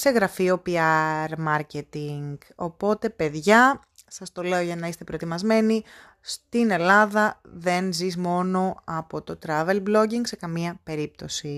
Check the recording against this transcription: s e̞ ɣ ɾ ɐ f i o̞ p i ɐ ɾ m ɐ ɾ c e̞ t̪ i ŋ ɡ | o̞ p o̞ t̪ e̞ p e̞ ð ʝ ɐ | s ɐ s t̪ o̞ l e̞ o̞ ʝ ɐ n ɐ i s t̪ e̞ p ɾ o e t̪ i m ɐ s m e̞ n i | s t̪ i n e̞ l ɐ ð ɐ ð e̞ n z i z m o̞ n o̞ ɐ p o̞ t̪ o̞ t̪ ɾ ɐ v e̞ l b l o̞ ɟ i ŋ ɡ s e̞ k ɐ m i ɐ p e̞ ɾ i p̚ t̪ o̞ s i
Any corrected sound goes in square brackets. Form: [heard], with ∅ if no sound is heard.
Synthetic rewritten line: s e̞ ɣ ɾ ɐ f i o̞ p i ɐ ɾ m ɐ ɾ c e̞ t̪ i ŋ ɡ | o̞ p o̞ t̪ e̞ p e̞ ð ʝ ɐ | s ɐ s t̪ o̞ l e̞ o̞ ʝ ɐ n ɐ i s t̪ e̞ p ɾ o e t̪ i m ɐ [z] m e̞ n i | s t̪ i n e̞ l ɐ ð ɐ ð e̞ n z i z m o̞ n o̞ ɐ p o̞ t̪ o̞ t̪ ɾ ɐ v e̞ l b l o̞ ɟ i ŋ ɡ s e̞ k ɐ m i ɐ p e̞ ɾ i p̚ t̪ o̞ s i